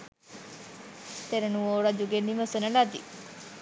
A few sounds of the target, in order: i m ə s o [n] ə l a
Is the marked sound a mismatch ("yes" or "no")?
no